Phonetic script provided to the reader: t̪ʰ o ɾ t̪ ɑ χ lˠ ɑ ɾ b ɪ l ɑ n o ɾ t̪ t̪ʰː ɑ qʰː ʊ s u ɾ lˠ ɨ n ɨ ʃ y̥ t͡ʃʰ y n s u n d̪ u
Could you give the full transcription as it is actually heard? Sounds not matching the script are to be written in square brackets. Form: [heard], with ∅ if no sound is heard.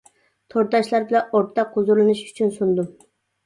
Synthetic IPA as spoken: t̪ʰ o ɾ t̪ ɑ [ʃ] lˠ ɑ ɾ b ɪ l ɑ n o ɾ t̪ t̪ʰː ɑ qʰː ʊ [z] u ɾ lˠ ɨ n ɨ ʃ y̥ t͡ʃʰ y n s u n d̪ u